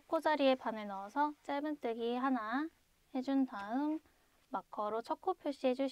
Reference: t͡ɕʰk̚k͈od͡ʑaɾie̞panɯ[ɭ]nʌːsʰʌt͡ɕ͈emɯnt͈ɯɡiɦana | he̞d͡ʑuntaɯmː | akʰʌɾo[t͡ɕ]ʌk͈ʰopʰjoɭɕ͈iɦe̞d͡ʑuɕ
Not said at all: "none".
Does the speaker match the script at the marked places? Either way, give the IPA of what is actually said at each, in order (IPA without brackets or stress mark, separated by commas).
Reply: ɭ, t͡ɕʰ